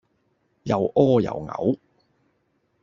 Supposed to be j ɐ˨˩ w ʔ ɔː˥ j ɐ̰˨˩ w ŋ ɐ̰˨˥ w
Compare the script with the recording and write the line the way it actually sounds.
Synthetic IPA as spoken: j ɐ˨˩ w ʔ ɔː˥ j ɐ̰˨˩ w ŋ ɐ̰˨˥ w